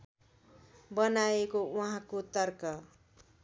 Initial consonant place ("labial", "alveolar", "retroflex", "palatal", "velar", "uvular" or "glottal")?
labial